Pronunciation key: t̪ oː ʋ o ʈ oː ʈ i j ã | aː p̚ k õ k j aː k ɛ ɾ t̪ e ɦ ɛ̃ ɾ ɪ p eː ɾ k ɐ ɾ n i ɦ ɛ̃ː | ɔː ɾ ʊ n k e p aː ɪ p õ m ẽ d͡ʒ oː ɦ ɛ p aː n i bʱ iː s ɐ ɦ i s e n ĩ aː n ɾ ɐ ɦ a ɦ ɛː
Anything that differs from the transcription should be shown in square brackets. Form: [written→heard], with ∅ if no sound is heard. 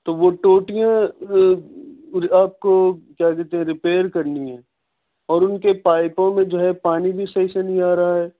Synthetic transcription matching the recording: t̪ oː ʋ o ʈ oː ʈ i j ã | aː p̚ k [õ→o] k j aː k ɛ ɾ t̪ e ɦ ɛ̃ ɾ ɪ p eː ɾ k ɐ ɾ n i ɦ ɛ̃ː | ɔː ɾ ʊ n k e p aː ɪ p õ m ẽ d͡ʒ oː ɦ ɛ p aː n i bʱ [iː→i] s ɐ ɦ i s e n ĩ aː [n→∅] ɾ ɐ ɦ a ɦ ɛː